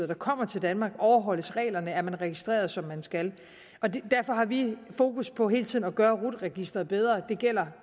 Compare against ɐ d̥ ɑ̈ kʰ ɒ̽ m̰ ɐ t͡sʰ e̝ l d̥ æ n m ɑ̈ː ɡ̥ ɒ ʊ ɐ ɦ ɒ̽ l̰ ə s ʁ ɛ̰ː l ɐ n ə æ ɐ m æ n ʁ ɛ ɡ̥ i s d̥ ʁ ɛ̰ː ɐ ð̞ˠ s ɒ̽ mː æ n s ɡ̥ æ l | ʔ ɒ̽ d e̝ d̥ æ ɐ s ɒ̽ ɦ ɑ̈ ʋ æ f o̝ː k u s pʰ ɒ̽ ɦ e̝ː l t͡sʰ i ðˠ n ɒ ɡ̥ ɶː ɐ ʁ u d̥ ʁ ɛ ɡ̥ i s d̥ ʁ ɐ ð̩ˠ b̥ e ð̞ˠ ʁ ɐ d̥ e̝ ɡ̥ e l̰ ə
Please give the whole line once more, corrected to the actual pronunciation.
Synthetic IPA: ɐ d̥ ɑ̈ kʰ ɒ̽ m̰ ɐ t͡sʰ e̝ l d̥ æ n m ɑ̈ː ɡ̥ ɒ ʊ ɐ ɦ ɒ̽ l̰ ə s ʁ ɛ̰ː l ɐ n ə æ ɐ m æ n ʁ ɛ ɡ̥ i s d̥ ʁ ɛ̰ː ɐ ð̞ˠ s ɒ̽ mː æ n s ɡ̥ æ l | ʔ ɒ̽ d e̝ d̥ æ ɐ f ɒ̽ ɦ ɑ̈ ʋ i f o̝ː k u s pʰ ɒ̽ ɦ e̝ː l t͡sʰ i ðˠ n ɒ ɡ̥ ɶː ɐ ʁ u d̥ ʁ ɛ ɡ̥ i s d̥ ʁ ɐ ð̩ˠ b̥ e ð̞ˠ ʁ ɐ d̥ e̝ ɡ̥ e l̰ ɐ

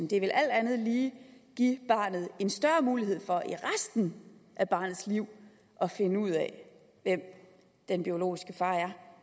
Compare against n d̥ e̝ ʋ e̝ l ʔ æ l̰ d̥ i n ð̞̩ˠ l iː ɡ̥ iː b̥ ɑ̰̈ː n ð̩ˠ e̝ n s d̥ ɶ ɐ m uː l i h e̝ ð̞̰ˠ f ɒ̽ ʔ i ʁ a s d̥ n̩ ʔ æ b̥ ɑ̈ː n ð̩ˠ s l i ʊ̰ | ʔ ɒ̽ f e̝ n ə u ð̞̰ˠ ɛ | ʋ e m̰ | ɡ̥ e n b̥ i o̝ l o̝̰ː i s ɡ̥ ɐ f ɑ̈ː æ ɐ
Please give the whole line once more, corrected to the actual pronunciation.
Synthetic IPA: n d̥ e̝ ʋ e̝ l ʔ æ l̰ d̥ æ n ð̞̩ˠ l iː ɡ̥ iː b̥ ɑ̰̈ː n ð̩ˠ e̝ n s d̥ ɶ ɐ m uː l i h e̝ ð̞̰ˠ f ɒ̽ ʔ i ʁ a s d̥ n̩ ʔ æ b̥ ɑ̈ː n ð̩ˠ s l i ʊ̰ | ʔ ɒ̽ f e̝ n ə u ð̞̰ˠ ɛ | ʋ e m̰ | d̥ e n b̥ i o̝ l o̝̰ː i s ɡ̥ ə f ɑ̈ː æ ɐ

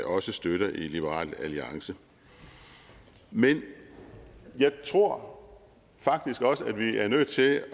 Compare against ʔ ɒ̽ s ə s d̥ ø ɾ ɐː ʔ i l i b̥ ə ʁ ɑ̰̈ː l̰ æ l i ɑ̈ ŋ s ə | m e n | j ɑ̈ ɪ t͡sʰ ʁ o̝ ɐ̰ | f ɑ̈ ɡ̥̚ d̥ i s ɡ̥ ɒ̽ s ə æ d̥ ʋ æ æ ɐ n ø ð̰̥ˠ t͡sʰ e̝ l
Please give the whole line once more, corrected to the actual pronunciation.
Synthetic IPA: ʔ ɒ̽ s ə s d̥ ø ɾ ɐ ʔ i l i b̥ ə ʁ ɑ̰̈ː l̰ æ l i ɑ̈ ŋ s ə | m e n | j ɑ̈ ɪ t͡sʰ ʁ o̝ ɐ̰ | f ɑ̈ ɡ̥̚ d̥ i s ɡ̥ ɒ̽ s ə æ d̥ ʋ i æ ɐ n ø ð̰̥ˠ t͡sʰ e̝ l

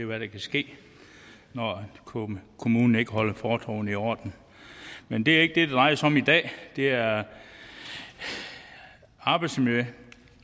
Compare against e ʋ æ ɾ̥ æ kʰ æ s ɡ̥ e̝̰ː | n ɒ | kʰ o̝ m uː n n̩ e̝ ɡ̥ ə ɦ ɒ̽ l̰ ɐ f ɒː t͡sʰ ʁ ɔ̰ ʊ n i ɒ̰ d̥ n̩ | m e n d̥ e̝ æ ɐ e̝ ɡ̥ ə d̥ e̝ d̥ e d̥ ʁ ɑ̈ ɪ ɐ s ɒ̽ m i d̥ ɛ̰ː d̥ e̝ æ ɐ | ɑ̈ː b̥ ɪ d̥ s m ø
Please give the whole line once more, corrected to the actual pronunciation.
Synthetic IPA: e ʋ æ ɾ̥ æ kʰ æ s ɡ̥ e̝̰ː | n ɒ | kʰ o̝ m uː n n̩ e̝ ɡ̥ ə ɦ ɒ̽ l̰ ɐ f ɒː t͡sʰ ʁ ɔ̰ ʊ n i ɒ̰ d̥ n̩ | m e n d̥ e̝ æ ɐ e̝ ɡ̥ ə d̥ e̝ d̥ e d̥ ʁ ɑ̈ ɪ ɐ s ɒ̽ m i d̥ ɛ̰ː d̥ e̝ æ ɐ | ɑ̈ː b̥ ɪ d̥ s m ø

